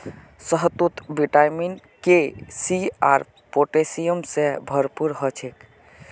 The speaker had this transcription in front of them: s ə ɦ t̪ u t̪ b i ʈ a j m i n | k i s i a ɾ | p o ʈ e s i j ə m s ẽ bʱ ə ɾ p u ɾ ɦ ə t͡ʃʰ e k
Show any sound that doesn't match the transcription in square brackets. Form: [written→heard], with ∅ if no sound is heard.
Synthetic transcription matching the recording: s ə ɦ t̪ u t̪ b i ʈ a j m i n | k [i→e] s i a ɾ | p o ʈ e s i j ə m s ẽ bʱ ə ɾ p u ɾ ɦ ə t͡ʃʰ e k